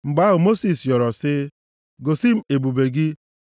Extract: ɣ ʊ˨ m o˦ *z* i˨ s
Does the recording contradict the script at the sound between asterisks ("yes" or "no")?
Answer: yes